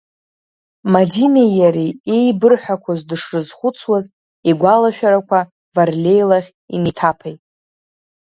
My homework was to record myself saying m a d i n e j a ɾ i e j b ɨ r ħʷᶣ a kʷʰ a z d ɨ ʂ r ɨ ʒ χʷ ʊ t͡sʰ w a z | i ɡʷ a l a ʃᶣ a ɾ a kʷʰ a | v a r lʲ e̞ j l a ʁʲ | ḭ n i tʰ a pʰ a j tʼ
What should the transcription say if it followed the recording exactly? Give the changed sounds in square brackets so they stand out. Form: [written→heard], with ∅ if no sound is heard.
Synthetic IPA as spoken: m a d i n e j a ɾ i e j b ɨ r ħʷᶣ a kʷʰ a z d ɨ ʂ r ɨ [ʒ→z] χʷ ʊ t͡sʰ w a z | i ɡʷ a l a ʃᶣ a ɾ a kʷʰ a | v a r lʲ e̞ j l a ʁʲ | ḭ n i tʰ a pʰ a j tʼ